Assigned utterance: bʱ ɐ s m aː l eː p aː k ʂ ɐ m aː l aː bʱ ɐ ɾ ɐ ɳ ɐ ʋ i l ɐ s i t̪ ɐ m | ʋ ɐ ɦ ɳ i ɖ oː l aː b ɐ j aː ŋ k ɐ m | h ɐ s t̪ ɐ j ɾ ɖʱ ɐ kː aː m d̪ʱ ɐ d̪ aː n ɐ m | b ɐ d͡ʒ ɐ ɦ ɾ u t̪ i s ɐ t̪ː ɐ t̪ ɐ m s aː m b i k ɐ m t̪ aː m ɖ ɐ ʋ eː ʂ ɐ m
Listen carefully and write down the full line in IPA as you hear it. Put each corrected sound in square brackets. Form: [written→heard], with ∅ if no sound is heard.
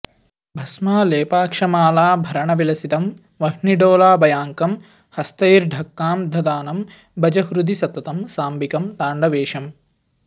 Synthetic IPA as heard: bʱ ɐ s m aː l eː p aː k ʂ ɐ m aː l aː bʱ ɐ ɾ ɐ ɳ ɐ ʋ i l ɐ s i t̪ ɐ m | ʋ ɐ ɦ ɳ i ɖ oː l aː b ɐ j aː ŋ k ɐ m | h ɐ s t̪ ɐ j ɾ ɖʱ ɐ kː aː m d̪ʱ ɐ d̪ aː n ɐ m | b ɐ d͡ʒ ɐ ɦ ɾ u [t̪→d̪] i s ɐ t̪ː ɐ t̪ ɐ m s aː m b i k ɐ m t̪ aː [m→ɳ] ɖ ɐ ʋ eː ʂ ɐ m